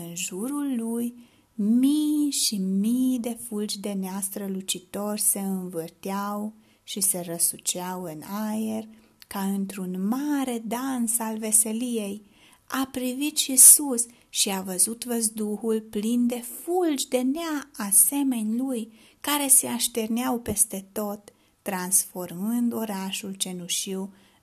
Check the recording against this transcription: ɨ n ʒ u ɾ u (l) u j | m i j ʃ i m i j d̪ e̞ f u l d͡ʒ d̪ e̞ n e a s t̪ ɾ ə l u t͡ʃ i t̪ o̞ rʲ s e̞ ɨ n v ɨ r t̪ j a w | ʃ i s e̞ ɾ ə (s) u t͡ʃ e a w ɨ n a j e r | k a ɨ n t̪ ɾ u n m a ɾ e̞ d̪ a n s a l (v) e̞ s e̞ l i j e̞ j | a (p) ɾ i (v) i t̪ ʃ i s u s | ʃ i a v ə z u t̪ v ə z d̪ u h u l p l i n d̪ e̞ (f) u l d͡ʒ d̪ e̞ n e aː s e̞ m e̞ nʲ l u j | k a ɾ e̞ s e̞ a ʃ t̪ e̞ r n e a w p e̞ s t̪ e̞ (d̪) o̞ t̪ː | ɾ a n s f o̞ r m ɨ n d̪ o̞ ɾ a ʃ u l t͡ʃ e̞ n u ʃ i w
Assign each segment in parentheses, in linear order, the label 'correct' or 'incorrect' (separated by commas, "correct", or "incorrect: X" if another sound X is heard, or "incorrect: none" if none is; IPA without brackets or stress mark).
incorrect: lː, correct, correct, correct, correct, correct, incorrect: t̪